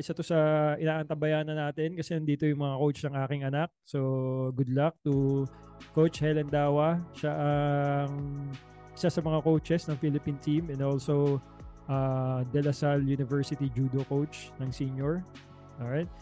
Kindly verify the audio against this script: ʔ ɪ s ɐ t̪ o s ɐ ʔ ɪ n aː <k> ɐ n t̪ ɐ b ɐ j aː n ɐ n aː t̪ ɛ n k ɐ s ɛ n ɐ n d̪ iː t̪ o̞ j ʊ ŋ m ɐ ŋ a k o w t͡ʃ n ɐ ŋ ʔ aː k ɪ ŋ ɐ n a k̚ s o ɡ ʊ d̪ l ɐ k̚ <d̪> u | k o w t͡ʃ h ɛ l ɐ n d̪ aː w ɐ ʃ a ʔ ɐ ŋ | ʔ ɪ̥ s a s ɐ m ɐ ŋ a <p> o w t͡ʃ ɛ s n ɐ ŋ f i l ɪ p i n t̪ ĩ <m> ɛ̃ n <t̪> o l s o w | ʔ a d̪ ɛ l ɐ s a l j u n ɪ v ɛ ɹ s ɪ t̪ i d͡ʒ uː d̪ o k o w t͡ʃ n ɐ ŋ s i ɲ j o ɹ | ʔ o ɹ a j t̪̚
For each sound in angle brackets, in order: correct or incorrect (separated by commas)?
incorrect, incorrect, incorrect, correct, incorrect